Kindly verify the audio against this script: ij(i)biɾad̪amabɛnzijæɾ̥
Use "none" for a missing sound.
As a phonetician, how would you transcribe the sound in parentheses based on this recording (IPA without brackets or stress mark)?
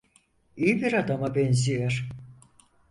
i